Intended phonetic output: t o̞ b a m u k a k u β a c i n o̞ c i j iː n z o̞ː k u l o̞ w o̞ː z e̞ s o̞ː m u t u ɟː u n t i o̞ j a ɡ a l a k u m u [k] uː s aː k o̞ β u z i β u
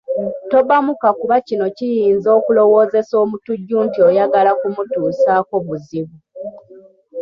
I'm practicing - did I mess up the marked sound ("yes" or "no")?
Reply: yes